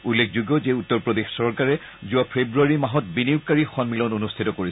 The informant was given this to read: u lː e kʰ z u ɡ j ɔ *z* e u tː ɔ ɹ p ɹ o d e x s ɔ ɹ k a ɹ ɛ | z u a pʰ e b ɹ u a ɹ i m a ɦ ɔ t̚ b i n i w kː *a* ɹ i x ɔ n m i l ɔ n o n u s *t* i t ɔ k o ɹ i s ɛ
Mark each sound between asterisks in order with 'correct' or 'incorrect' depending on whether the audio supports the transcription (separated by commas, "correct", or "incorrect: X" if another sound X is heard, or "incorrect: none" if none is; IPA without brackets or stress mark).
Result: correct, correct, incorrect: tʰ